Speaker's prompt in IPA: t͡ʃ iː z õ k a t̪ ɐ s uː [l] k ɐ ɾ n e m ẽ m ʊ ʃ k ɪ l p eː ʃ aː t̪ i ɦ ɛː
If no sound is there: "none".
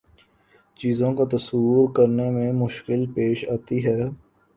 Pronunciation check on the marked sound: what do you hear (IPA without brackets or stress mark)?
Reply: ɾ